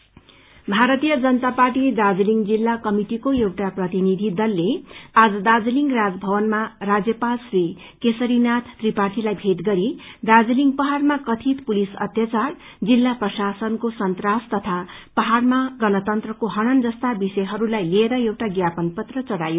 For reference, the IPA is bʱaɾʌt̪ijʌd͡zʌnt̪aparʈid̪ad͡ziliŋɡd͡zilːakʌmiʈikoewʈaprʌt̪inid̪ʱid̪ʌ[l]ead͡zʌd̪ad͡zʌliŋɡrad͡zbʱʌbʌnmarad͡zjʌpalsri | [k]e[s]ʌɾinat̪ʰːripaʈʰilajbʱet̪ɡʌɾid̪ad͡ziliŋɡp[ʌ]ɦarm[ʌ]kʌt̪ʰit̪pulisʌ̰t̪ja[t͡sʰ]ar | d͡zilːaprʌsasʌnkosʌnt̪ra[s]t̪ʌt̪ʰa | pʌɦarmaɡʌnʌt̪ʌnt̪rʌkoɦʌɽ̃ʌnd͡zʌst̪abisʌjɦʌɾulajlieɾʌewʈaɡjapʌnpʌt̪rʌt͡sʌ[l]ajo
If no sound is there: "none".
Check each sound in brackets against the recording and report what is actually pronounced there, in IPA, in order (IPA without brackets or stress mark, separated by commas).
lː, k, s, ʌ, a, t͡s, s, ɽ